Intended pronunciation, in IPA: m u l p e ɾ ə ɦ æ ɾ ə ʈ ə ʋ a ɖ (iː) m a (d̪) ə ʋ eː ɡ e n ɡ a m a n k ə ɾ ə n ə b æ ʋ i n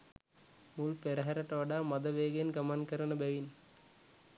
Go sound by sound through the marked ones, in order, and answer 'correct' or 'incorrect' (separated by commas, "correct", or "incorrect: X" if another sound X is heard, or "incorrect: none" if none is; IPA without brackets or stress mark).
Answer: incorrect: aː, correct